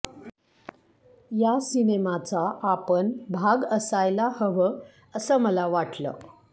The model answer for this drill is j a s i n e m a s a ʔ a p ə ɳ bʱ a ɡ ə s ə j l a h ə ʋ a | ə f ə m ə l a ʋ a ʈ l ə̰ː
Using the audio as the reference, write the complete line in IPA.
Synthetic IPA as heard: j a s i n e m a t͡s a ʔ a p ə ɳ bʱ a ɡ ə s a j l a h ə ʋ ə | ə s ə m ə l a ʋ a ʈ l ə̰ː